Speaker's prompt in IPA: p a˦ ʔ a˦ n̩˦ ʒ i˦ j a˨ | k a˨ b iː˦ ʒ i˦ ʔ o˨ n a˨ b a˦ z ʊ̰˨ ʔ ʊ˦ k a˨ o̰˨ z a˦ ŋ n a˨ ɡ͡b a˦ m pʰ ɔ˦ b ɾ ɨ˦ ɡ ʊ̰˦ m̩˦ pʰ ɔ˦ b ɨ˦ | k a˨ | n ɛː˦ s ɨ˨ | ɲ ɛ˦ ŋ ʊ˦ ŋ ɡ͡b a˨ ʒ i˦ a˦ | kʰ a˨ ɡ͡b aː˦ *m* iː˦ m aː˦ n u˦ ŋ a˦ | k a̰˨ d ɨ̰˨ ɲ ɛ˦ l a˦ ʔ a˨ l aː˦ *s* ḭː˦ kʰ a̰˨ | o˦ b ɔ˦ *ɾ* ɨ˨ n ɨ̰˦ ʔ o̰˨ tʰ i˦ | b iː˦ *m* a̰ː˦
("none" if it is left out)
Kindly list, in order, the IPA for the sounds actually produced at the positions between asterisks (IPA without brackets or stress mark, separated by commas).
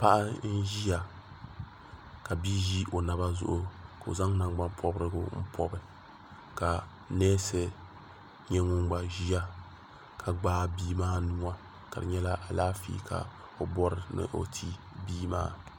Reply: b, f, ɾ, m